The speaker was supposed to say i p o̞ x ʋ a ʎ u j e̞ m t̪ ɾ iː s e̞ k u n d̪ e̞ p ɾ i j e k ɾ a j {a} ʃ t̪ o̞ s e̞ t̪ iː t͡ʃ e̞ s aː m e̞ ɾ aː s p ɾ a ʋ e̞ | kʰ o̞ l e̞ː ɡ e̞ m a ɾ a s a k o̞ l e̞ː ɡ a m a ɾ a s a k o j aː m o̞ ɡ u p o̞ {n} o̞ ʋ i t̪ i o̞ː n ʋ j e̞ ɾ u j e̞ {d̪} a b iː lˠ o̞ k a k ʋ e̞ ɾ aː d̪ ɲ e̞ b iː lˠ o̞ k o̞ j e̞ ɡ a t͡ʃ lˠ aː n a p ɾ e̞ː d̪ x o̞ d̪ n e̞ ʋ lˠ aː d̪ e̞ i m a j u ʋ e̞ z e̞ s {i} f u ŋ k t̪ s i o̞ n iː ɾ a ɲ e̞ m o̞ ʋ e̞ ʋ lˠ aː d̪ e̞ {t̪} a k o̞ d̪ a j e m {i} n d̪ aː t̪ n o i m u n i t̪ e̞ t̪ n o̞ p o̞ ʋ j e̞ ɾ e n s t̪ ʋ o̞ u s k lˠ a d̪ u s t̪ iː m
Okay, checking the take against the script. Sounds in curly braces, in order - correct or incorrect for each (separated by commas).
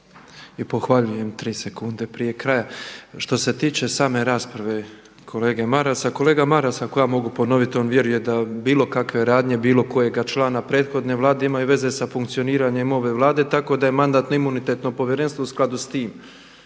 correct, correct, correct, incorrect, correct, incorrect